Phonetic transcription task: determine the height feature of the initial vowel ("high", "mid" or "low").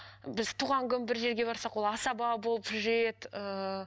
high